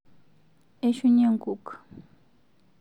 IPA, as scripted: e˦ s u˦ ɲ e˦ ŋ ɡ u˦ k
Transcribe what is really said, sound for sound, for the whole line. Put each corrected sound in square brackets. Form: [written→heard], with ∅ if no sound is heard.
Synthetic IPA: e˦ [s→ʃ] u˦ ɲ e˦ ŋ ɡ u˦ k